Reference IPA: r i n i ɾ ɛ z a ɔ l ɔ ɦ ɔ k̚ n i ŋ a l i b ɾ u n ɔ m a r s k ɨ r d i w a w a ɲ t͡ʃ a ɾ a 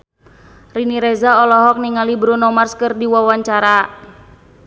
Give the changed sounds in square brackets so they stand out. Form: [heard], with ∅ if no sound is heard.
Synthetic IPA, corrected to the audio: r i n i ɾ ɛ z a ɔ l ɔ ɦ ɔ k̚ n i ŋ a l i b ɾ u n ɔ m a r s k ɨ r d i w a w a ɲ t͡ʃ a ɾ a